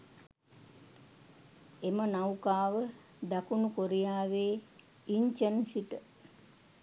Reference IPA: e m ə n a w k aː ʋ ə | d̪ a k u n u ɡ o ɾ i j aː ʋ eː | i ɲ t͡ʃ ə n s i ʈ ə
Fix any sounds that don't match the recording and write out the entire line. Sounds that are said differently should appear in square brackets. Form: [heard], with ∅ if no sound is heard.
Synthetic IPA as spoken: e m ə n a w k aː ʋ ə | d̪ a k u n u [k] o ɾ i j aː ʋ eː | i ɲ t͡ʃ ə n s i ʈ ə